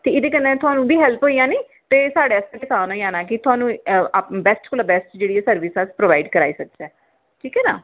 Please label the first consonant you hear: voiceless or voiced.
voiceless